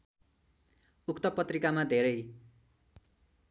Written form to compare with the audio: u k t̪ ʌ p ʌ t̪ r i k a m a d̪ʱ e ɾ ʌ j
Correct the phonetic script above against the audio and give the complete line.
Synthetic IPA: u k t̪ ʌ p ʌ t̪ r i k a m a d̪ʱ e ɾ ʌ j

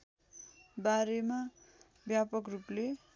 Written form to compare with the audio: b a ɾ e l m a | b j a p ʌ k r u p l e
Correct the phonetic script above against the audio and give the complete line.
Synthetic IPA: b a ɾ e m a | b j a p ʌ k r u p l e

